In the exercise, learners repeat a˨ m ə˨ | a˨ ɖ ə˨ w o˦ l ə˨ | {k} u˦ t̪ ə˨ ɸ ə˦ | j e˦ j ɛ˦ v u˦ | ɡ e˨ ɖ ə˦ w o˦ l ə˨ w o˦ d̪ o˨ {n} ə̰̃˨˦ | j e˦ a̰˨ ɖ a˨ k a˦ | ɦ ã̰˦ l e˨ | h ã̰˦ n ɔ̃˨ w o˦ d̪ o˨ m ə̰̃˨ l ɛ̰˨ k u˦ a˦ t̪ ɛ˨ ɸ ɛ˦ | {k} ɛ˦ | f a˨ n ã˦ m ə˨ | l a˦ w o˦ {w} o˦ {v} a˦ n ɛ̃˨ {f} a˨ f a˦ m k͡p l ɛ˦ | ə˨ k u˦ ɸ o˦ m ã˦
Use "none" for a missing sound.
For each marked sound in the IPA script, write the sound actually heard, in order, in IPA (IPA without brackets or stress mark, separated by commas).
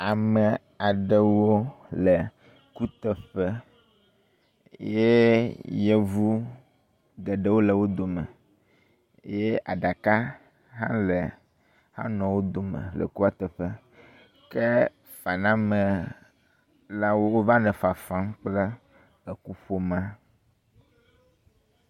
k, m, k, w, v, f